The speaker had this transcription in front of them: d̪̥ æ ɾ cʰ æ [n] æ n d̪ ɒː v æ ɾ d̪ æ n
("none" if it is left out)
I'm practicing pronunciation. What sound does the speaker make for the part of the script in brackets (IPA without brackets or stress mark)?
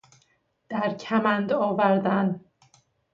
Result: m